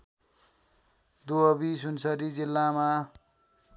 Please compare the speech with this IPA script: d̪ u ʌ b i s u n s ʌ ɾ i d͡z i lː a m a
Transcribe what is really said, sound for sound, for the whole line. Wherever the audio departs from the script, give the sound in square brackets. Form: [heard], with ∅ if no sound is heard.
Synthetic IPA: d̪ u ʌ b i s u n s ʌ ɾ i d͡z i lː a m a